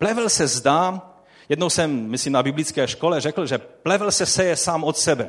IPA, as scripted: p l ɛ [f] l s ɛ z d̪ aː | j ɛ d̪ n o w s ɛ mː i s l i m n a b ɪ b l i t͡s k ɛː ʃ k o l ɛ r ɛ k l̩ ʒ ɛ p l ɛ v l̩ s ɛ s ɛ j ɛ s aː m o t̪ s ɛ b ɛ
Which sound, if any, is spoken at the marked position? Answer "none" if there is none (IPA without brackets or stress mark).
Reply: v